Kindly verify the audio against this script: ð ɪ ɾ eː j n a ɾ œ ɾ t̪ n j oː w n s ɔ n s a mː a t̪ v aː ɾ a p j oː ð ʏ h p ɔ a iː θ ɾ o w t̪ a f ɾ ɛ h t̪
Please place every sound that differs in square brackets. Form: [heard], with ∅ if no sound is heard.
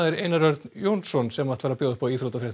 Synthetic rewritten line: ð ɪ ɾ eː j n a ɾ œ ɾ t̪ n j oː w n s ɔ n s [ɛ] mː a t̪ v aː ɾ a p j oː ð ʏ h p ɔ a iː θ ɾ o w t̪ a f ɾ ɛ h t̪